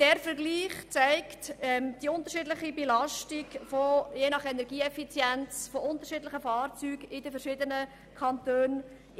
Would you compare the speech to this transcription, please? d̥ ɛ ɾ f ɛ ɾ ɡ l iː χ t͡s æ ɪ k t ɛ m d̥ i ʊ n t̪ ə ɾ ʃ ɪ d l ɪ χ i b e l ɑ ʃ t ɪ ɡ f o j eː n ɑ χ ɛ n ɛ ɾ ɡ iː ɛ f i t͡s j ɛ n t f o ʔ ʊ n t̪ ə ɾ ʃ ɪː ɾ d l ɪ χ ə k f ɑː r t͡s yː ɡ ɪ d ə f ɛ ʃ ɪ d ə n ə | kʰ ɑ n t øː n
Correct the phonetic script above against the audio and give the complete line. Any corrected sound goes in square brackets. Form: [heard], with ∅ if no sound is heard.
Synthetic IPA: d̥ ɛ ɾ f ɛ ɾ ɡ l iː χ t͡s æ ɪ k t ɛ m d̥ i ʊ n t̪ ə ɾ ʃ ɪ d l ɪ χ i b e l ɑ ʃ t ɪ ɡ f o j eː n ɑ χ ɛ n ɛ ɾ ɡ iː ɛ f i t͡s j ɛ n [t͡s] f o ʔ ʊ n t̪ ə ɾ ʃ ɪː [∅] d l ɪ χ ə [∅] f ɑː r t͡s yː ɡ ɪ d ə f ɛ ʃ ɪ d ə n ə | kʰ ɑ n t øː n